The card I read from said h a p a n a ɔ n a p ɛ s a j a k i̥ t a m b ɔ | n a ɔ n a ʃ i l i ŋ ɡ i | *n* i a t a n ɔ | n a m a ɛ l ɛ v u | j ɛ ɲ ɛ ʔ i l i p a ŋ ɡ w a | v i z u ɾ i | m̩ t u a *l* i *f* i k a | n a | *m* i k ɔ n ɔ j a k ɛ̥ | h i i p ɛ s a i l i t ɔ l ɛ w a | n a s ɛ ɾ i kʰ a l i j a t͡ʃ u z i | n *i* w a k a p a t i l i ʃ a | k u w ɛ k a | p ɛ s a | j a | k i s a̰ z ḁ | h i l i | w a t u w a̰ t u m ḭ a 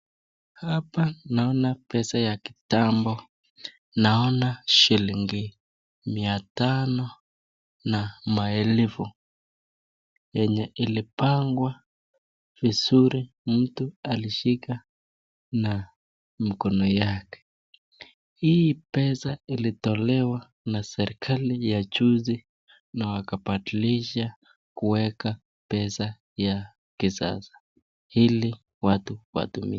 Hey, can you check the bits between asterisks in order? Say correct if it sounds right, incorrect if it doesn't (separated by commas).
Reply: incorrect, correct, incorrect, correct, incorrect